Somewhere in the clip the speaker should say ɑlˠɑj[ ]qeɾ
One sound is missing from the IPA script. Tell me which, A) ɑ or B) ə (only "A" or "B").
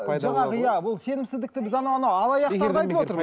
A